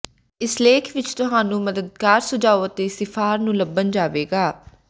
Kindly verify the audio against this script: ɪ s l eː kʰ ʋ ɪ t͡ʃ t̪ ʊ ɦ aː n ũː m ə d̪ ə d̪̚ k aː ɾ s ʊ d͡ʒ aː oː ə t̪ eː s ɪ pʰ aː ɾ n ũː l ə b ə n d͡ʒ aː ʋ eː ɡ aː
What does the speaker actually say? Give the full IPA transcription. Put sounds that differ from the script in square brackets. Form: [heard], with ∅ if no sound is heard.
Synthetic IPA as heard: ɪ s l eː kʰ ʋ ɪ t͡ʃ t̪ ʊ ɦ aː n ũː m ə d̪ ə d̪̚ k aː ɾ s ʊ d͡ʒ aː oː ə t̪ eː s ɪ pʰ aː ɾ n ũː l ə b ə n d͡ʒ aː ʋ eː ɡ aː